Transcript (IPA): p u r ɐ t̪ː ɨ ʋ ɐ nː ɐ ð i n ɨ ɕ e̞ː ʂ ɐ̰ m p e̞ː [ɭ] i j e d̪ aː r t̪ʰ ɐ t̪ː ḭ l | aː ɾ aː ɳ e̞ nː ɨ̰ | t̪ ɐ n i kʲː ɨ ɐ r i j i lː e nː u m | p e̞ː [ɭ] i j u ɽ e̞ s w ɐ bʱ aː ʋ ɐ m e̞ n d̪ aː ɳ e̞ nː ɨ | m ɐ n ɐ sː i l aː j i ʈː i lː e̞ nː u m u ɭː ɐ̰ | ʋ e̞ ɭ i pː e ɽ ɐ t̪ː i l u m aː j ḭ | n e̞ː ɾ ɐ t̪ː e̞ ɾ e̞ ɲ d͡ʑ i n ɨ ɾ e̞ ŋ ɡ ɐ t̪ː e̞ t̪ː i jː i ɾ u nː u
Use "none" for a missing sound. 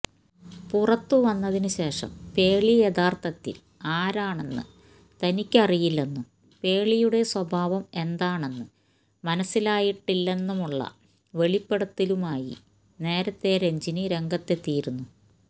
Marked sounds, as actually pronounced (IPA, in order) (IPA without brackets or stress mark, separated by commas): ɭ, ɭ